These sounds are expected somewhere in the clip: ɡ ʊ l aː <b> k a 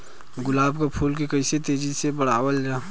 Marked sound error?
no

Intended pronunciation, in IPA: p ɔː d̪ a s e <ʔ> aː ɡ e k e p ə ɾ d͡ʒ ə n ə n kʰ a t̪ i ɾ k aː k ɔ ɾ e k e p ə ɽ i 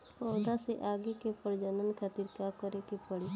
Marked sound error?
no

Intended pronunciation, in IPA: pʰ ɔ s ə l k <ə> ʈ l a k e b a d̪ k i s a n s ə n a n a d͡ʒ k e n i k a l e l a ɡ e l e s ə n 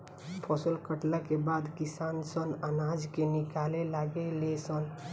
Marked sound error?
no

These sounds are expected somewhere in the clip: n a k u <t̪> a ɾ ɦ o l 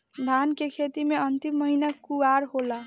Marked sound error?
yes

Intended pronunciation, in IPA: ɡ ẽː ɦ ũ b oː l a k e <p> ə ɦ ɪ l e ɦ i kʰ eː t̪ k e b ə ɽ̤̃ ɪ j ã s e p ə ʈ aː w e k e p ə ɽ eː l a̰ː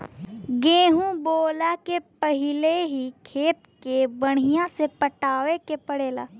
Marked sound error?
no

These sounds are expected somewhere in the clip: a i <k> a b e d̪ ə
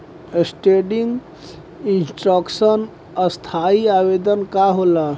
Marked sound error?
yes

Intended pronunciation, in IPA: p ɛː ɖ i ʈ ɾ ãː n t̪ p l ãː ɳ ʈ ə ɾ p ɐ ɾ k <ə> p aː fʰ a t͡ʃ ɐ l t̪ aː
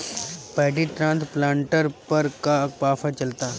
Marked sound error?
yes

